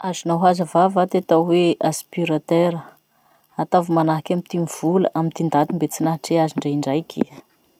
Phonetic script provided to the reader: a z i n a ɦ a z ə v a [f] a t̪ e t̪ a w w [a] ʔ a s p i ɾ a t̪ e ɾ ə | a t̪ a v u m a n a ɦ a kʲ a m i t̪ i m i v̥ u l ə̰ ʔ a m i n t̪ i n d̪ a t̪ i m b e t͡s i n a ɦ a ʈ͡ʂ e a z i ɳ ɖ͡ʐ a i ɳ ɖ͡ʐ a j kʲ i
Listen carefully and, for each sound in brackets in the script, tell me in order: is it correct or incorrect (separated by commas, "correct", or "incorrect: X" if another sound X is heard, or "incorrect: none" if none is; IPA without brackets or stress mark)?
incorrect: v, incorrect: e